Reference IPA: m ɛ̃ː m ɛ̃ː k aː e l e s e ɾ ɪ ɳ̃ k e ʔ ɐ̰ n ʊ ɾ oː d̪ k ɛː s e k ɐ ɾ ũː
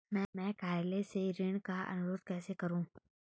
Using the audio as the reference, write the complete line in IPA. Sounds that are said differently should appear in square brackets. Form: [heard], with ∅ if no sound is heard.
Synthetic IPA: m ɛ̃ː m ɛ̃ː k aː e l e s e ɾ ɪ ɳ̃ k [a] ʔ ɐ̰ n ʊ ɾ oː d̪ k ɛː s e k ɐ ɾ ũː